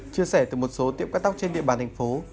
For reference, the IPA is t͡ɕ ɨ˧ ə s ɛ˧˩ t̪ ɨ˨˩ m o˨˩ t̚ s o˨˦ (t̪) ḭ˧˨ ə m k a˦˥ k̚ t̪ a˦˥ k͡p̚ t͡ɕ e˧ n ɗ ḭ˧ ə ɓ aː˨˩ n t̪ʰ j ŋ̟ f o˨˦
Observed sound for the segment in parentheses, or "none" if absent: t̪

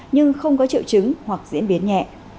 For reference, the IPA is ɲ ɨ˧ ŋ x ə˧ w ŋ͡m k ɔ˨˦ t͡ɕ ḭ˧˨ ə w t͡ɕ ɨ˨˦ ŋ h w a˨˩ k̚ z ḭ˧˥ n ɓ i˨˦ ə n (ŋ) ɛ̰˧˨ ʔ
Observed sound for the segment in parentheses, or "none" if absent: ɲ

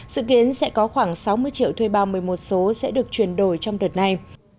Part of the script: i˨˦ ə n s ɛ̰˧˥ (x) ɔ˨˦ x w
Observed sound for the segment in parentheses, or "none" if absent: k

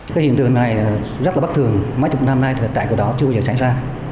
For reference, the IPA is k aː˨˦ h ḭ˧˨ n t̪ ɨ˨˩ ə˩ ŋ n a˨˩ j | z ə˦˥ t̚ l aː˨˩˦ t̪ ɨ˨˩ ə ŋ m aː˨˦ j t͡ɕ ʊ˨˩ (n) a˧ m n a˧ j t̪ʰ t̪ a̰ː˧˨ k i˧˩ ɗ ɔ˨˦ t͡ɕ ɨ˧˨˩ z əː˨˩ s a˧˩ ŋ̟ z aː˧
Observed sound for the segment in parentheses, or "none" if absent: n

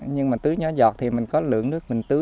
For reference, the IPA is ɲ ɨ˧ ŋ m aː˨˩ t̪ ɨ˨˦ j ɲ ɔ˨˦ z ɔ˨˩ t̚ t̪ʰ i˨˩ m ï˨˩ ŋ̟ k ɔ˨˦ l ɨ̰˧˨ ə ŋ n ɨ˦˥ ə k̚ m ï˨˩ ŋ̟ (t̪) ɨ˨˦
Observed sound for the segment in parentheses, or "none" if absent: t̪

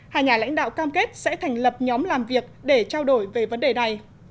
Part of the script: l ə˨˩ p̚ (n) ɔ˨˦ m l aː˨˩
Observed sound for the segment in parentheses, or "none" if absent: ɲ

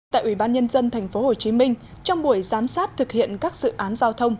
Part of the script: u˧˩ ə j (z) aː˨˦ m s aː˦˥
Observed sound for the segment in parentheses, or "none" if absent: z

